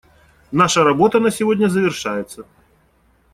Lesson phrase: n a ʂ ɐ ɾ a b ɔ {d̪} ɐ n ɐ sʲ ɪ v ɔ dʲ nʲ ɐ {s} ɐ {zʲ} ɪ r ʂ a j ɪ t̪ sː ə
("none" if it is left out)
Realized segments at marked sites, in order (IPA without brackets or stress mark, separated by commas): t̪, z, vʲ